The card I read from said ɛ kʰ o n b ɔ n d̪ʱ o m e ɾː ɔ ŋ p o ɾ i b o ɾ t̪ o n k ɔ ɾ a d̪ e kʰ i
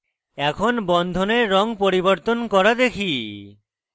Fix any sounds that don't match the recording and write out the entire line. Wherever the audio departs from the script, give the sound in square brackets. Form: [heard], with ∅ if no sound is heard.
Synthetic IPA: ɛ kʰ o n b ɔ n d̪ʱ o [n] e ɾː ɔ ŋ p o ɾ i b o ɾ t̪ o n k ɔ ɾ a d̪ e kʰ i